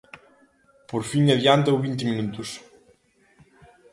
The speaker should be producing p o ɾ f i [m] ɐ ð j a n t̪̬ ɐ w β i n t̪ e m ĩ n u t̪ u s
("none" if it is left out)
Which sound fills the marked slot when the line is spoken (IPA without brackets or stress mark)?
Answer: ŋ